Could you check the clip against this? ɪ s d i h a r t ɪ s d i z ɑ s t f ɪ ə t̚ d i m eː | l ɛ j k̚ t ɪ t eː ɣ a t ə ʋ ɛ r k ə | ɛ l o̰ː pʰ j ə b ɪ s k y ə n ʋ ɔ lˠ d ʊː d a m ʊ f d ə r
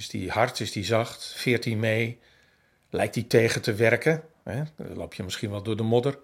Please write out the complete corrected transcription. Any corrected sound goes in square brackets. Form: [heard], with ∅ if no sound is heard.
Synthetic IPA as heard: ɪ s d i h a r t ɪ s d i z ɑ [x] t f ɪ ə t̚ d i m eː | l ɛ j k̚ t [i] t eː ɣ [ə] t ə ʋ ɛ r k ə | ɛ l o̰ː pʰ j ə [m] ɪ s k [i] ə n ʋ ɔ lˠ d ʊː d [ə] m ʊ [∅] d ə r